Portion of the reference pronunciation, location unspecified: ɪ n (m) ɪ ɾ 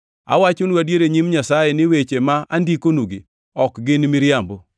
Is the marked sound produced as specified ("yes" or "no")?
yes